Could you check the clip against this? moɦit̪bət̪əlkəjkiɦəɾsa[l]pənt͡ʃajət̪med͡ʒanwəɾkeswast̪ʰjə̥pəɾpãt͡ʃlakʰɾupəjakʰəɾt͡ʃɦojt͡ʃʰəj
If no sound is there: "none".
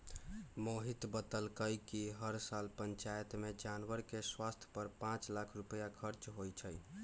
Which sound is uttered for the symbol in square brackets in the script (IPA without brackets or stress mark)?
l